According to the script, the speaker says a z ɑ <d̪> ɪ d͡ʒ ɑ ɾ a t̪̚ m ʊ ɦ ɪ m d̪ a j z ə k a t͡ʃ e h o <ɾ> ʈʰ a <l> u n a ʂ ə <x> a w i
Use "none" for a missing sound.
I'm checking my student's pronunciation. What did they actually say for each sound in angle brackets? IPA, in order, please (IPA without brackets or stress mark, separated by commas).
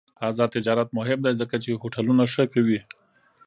t̪, none, l, k